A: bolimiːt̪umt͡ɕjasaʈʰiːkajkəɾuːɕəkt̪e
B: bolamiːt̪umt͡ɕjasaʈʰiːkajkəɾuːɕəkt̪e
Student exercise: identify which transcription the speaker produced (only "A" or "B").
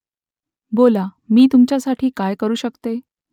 B